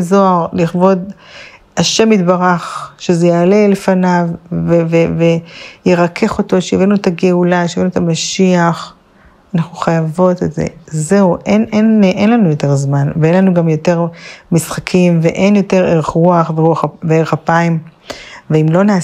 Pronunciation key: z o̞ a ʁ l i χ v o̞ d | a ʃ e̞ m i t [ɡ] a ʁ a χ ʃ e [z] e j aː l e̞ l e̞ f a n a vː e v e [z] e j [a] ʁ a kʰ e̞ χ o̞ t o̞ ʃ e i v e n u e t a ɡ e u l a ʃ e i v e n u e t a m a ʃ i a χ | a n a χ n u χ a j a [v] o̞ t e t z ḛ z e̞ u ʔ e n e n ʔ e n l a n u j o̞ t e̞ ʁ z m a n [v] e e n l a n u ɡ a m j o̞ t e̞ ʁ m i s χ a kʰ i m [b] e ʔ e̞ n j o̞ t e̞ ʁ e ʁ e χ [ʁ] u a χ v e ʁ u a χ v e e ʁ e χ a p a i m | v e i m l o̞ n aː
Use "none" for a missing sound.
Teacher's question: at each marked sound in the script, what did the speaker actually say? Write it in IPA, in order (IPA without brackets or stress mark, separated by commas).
b, z, v, e, v, v, v, ʁ